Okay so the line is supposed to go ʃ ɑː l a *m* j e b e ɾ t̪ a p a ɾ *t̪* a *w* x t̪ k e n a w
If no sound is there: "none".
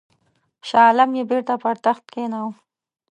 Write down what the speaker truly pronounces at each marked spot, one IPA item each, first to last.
m, t̪, none

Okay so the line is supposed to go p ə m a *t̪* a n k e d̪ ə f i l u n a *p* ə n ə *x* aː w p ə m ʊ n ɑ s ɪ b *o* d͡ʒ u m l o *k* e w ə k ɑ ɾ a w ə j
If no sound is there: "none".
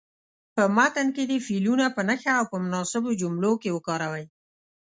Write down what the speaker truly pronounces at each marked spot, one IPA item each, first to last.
t̪, p, x, o, k

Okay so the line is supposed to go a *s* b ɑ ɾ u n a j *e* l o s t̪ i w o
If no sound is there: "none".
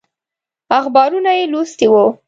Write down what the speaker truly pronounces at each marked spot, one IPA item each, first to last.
x, e

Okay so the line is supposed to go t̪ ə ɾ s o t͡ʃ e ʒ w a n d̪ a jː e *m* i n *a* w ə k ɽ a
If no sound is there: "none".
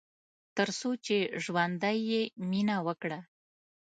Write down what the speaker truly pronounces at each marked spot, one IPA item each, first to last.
m, a

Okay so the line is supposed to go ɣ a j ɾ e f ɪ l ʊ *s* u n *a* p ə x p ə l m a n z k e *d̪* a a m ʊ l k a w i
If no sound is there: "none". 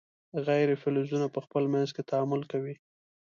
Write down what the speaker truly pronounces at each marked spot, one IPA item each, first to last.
z, a, t̪

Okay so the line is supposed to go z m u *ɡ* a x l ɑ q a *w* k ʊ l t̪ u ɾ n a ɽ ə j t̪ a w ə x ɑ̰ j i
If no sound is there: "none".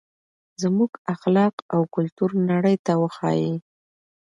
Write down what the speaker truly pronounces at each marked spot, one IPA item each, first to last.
ɡ, w

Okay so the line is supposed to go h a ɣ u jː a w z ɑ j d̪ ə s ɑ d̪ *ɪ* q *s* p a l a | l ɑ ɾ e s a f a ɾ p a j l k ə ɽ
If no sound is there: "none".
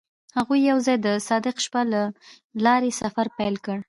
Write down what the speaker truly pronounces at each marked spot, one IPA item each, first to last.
ɪ, ʃ

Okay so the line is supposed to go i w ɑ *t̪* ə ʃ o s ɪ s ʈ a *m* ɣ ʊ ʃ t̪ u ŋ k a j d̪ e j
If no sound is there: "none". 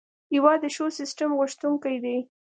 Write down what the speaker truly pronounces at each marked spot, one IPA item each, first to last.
d̪, m

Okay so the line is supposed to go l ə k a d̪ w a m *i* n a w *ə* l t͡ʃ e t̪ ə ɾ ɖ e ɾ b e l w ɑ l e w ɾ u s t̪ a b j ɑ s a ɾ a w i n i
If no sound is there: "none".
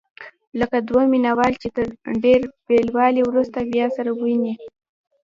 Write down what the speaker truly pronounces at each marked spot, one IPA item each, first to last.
i, ɑ

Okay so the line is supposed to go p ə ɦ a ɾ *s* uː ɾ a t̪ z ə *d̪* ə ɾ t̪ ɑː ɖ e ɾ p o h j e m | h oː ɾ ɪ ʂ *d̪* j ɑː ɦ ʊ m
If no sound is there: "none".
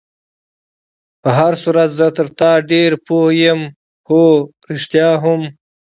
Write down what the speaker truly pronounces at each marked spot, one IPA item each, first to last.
s, t̪, t̪

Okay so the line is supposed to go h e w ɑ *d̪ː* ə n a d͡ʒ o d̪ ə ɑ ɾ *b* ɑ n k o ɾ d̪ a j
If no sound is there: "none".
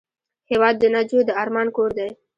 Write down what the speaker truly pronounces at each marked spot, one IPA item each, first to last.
d̪ː, m

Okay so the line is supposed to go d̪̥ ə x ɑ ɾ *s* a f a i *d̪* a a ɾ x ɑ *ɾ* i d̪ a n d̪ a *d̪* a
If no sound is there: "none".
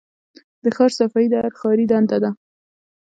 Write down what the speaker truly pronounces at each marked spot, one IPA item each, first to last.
s, d̪, ɾ, d̪

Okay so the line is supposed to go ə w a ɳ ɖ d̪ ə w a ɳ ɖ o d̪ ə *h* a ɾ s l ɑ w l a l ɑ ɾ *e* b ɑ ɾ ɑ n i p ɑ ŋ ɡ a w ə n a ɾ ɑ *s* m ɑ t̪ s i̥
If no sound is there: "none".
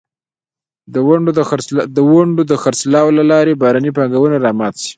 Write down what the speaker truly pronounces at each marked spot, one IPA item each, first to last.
x, e, none

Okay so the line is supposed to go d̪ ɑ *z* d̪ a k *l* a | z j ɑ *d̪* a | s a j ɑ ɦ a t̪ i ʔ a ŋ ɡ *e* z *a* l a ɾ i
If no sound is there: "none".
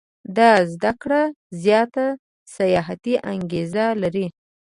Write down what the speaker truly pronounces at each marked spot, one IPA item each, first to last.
z, ɽ, t̪, e, a

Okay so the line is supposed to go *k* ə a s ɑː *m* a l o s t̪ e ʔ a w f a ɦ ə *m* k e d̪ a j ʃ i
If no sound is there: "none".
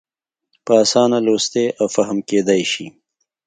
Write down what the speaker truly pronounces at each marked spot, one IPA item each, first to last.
p, n, m

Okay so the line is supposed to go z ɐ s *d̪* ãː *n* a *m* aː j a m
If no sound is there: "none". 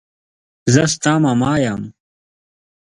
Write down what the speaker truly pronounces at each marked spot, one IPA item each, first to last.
t̪, m, m

